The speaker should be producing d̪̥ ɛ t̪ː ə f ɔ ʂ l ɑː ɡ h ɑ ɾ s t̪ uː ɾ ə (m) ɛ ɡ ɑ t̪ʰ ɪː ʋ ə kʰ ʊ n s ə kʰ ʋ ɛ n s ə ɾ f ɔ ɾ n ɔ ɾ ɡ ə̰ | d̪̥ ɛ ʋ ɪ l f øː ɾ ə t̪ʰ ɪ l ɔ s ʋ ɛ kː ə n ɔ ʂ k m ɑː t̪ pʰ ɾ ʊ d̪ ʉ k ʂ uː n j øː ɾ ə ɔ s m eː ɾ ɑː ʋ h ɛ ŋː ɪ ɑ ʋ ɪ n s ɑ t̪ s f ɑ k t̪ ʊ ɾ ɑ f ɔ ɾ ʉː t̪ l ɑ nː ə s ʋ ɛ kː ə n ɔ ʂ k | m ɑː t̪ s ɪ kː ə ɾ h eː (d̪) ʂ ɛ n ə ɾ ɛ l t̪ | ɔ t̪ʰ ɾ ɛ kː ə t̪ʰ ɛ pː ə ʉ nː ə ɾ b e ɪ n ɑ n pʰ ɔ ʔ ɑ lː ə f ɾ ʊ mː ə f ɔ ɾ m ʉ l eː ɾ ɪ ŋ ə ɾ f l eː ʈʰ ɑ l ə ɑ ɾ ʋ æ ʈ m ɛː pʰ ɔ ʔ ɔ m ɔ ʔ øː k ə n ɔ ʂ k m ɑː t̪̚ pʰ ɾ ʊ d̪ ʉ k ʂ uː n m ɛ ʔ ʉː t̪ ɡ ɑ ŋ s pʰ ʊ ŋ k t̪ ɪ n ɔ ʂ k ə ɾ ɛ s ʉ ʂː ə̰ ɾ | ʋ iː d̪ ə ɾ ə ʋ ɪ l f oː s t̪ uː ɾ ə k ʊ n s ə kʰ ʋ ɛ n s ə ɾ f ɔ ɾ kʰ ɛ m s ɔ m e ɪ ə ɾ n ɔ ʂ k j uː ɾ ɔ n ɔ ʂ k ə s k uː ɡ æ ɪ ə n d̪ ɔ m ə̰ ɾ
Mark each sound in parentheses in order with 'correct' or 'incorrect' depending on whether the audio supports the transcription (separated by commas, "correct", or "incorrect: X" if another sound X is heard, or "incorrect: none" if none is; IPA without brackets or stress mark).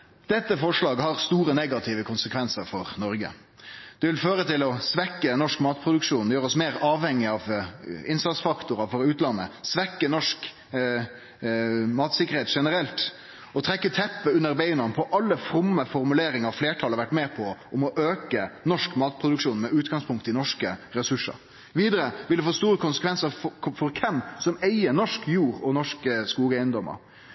incorrect: n, incorrect: t̪